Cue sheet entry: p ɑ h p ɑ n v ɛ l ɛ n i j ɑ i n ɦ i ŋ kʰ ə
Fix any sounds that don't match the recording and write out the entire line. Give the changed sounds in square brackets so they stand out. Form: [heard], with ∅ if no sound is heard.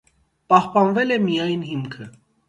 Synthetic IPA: p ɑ h p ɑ n v ɛ l ɛ [m] i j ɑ [j] n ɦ i [m] kʰ ə